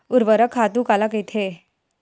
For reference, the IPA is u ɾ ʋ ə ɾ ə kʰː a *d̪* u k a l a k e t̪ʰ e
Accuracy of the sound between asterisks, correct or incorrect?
incorrect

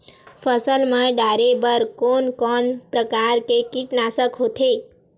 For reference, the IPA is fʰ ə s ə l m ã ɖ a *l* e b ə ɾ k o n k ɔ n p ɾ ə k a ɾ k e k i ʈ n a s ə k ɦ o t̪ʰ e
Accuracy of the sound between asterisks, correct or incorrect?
incorrect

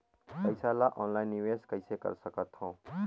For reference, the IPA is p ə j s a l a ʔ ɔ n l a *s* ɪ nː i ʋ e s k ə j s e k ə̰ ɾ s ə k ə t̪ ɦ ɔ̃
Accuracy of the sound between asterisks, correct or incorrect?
incorrect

